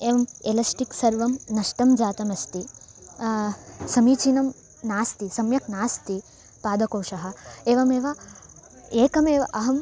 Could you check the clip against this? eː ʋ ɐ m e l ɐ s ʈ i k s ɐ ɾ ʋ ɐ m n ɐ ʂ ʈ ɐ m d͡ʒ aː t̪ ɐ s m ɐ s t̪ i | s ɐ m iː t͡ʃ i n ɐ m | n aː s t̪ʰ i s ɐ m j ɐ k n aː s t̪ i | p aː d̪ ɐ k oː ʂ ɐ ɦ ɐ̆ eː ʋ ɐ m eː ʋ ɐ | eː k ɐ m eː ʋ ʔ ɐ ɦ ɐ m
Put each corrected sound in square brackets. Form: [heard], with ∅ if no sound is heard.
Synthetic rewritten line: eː ʋ ɐ m e l ɐ s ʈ i k s ɐ ɾ ʋ ɐ m n ɐ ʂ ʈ ɐ m d͡ʒ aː t̪ ɐ [∅] m ɐ s t̪ i | s ɐ m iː t͡ʃ i n ɐ m | n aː s [t̪] i s ɐ m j ɐ k n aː s t̪ i | p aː d̪ ɐ k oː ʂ ɐ ɦ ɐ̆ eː ʋ ɐ m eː ʋ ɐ | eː k ɐ m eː ʋ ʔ ɐ ɦ ɐ m